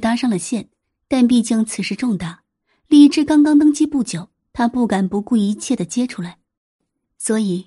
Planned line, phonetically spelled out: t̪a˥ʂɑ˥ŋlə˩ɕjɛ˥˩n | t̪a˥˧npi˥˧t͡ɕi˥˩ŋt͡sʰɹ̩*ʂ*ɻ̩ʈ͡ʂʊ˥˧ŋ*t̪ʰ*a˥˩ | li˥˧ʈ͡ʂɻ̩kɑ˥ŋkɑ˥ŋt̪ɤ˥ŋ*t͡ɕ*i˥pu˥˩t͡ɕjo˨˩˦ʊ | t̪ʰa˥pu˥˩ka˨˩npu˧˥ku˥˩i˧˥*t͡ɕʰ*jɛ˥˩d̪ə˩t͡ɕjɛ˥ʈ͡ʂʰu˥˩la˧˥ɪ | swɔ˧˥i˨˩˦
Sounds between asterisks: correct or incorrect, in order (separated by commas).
correct, incorrect, correct, correct